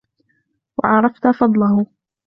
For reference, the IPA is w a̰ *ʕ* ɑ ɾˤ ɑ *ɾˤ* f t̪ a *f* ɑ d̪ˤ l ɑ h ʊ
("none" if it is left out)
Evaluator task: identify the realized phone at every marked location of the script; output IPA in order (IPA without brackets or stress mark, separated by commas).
ʕ, none, f